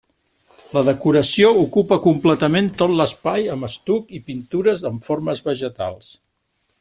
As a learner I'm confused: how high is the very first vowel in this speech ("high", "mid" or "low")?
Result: mid